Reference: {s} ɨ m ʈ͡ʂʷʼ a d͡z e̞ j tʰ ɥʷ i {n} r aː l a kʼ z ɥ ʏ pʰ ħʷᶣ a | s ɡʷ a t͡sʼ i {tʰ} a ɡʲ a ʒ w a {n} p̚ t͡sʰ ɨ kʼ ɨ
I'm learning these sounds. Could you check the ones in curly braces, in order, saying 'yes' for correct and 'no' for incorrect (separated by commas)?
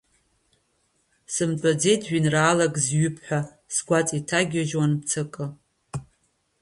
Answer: yes, yes, yes, yes